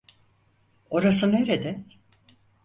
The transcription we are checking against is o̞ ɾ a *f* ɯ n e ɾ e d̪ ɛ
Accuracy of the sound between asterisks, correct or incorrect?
incorrect